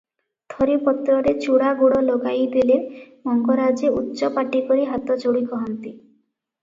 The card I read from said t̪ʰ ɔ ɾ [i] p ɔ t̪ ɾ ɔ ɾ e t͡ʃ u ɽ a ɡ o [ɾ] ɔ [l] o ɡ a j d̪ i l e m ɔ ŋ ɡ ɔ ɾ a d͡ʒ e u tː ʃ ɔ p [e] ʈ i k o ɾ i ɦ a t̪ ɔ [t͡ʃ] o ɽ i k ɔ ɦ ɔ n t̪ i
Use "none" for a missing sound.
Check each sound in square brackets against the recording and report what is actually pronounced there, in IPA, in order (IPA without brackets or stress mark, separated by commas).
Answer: i, ɽ, l, a, t͡ʃ